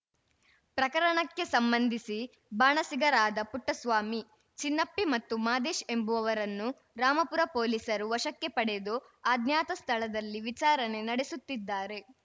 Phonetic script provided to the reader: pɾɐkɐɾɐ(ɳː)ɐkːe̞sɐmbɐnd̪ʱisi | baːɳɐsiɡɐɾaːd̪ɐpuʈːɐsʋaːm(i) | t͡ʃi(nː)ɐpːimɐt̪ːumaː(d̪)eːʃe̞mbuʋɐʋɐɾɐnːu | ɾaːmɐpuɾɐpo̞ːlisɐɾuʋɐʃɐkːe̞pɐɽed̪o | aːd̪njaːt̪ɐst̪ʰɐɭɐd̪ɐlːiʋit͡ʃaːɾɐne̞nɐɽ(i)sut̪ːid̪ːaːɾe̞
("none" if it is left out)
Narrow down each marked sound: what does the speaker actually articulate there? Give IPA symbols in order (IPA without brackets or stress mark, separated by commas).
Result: ɳ, i, nː, d̪, e